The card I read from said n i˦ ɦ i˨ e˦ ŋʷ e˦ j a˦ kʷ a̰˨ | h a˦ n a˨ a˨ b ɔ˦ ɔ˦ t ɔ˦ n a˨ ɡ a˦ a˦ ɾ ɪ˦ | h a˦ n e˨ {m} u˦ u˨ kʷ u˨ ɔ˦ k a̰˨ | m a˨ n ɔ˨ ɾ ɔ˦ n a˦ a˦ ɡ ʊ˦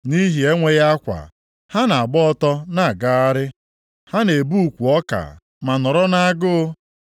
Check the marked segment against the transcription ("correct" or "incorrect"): incorrect